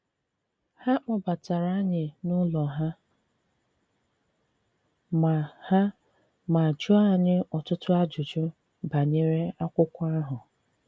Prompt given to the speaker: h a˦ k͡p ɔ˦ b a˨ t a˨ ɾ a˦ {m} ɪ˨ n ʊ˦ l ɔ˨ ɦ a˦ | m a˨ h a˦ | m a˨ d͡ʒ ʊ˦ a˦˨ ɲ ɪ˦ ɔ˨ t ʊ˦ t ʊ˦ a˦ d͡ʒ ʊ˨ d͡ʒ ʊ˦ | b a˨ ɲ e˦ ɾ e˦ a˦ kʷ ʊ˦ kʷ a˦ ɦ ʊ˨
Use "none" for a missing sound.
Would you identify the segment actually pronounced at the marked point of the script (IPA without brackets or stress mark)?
ɲ